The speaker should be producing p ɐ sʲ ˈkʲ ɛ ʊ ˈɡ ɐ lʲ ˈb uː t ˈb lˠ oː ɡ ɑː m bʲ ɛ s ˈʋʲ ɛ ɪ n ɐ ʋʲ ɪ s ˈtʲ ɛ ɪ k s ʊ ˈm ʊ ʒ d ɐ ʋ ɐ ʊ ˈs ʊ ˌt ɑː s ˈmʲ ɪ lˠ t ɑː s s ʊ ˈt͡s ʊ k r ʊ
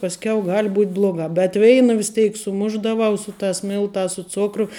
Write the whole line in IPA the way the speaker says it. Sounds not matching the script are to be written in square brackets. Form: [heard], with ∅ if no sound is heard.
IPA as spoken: p ɐ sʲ ˈkʲ ɛ ʊ ˈɡ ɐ lʲ ˈb uː t ˈb lˠ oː ɡ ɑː [∅] bʲ ɛ [t] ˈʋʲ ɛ ɪ n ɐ ʋʲ ɪ s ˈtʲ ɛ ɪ k s ʊ ˈm ʊ ʒ d ɐ ʋ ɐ ʊ ˈs ʊ ˌt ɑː s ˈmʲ ɪ lˠ t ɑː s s ʊ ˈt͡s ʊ k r ʊ